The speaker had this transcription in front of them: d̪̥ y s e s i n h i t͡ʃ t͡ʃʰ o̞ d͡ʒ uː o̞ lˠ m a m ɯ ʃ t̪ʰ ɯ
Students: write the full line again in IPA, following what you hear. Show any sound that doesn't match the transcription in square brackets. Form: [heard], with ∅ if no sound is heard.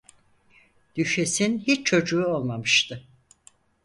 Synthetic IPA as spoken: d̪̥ y [ʃ] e s i n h i t͡ʃ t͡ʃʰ o̞ d͡ʒ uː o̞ lˠ m a m ɯ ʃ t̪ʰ ɯ